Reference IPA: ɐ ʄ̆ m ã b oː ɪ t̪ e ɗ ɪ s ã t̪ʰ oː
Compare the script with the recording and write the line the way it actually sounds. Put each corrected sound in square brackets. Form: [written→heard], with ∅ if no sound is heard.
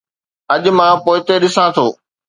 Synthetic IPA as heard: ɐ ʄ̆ m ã [b→p] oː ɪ t̪ e ɗ ɪ s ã t̪ʰ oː